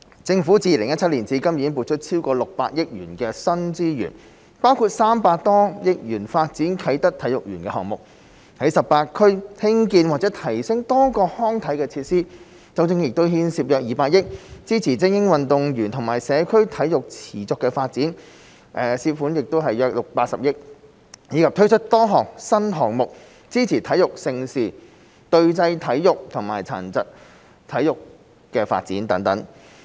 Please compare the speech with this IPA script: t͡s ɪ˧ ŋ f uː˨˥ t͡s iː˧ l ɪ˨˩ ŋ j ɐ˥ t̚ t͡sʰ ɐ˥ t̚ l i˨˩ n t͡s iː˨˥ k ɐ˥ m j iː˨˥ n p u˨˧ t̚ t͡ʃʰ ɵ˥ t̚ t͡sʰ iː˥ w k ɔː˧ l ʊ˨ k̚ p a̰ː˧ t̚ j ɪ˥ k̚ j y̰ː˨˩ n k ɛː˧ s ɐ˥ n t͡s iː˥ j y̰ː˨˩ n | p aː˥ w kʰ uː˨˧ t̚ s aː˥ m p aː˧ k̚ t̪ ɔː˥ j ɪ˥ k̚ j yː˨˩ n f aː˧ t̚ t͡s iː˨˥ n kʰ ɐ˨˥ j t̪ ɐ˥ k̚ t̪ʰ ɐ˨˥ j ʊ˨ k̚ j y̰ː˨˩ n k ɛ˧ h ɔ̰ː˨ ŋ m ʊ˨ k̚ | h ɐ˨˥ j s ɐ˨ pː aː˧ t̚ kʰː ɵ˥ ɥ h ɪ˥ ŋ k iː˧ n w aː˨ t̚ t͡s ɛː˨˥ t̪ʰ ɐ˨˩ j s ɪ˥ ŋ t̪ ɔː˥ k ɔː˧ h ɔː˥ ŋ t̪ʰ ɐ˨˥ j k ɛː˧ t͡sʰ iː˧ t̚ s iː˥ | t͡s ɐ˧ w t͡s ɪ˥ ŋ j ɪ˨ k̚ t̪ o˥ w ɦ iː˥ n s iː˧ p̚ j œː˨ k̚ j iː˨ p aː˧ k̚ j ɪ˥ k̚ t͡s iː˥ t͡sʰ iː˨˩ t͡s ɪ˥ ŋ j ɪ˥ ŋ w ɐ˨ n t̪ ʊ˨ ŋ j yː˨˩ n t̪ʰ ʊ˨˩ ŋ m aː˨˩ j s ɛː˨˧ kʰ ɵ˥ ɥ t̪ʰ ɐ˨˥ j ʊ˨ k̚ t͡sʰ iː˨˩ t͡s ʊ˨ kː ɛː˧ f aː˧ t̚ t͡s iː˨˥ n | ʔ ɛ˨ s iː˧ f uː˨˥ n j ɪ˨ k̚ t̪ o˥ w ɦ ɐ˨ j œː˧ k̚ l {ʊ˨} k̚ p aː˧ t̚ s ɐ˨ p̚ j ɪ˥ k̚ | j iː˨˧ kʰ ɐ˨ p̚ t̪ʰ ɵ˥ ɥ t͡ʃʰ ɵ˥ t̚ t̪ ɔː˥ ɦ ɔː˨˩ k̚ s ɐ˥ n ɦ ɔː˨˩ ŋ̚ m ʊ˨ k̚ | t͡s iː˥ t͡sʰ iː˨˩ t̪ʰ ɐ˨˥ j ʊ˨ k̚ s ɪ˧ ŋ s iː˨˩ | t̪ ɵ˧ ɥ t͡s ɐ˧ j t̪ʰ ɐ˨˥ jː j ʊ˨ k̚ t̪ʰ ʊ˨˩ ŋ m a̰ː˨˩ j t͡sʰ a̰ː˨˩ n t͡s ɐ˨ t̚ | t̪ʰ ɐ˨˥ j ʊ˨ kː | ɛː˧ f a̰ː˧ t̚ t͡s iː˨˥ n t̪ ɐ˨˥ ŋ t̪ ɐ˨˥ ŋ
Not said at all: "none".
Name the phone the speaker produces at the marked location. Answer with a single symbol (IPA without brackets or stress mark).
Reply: ʊ˨